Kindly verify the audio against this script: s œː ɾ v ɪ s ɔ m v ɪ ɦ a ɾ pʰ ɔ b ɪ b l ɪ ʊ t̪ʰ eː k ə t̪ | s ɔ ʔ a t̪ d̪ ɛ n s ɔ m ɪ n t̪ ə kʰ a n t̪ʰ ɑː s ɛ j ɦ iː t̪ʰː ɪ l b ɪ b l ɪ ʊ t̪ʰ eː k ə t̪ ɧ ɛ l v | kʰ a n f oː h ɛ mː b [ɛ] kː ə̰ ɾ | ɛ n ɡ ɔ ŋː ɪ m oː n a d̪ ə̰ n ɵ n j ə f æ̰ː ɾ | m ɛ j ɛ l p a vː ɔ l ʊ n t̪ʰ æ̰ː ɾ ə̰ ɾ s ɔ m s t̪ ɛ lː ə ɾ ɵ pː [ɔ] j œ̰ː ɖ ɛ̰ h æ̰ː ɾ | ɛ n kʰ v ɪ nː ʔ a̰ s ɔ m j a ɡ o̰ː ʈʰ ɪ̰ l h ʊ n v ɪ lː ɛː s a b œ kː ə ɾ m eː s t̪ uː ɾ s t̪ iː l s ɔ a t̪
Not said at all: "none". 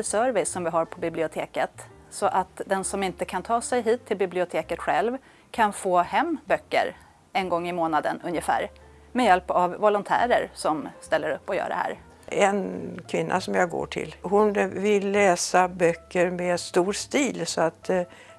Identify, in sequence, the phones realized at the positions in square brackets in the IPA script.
œ, ɔ

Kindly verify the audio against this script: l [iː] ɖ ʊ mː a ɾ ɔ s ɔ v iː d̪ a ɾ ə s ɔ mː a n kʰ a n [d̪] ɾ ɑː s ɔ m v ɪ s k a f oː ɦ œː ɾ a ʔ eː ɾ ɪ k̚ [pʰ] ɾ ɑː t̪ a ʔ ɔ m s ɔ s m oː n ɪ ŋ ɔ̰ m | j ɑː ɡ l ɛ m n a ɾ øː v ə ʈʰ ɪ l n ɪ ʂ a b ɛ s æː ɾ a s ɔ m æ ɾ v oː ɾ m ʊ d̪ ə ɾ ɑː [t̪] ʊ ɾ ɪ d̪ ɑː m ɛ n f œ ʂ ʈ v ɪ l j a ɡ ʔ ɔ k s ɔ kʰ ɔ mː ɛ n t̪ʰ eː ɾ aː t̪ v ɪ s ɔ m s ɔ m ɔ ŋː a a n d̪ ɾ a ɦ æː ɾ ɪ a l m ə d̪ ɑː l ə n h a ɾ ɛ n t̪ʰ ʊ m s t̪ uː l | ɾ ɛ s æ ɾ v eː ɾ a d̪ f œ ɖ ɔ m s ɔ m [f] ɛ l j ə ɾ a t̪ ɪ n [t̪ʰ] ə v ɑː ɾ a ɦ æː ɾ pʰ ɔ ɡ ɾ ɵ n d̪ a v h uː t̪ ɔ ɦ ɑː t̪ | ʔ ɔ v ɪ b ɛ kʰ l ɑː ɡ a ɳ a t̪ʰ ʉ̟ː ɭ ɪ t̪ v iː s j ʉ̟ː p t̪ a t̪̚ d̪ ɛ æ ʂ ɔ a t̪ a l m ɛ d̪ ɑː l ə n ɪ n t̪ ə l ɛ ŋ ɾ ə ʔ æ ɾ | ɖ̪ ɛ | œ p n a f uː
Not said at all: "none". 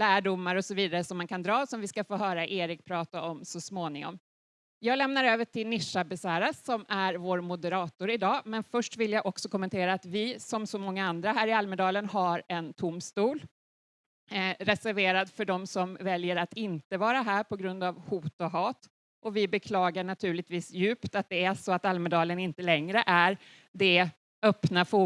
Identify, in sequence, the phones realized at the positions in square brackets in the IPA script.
æː, d̪, pʰ, t̪, v, t̪

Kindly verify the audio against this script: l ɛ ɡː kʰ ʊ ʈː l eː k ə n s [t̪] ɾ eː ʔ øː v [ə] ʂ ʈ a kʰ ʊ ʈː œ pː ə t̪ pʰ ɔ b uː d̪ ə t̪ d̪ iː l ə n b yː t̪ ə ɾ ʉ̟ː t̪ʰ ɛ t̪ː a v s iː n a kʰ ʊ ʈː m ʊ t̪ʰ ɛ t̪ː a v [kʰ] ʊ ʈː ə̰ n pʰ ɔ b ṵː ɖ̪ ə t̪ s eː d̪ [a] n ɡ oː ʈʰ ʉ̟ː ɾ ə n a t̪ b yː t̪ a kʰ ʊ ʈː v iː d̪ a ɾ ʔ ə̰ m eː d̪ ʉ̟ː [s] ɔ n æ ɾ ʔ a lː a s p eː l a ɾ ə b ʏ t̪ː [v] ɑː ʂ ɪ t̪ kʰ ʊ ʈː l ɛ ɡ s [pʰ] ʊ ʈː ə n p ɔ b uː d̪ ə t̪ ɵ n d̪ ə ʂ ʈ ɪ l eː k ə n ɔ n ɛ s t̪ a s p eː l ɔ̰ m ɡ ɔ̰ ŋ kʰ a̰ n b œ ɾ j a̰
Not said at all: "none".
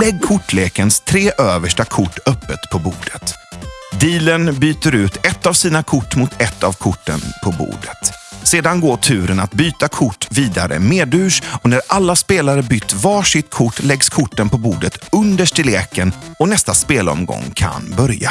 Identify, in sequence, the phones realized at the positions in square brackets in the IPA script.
t̪ʰ, ə, kʰ, a, ʂ, v, kʰ

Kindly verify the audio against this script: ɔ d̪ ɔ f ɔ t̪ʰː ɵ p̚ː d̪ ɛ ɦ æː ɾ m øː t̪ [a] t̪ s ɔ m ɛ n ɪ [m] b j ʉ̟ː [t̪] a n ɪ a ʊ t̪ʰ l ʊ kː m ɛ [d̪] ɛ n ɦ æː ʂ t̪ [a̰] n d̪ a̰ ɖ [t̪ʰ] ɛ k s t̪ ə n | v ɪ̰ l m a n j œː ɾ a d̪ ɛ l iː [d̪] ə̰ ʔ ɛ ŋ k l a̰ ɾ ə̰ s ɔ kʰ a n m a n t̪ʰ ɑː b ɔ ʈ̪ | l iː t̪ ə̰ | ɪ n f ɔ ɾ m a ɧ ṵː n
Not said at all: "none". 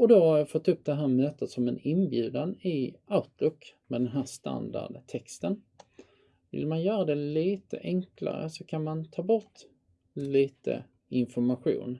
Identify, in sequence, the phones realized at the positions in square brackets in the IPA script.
ə, n, d̪, d̪, a̰, t̪ʰ, t̪

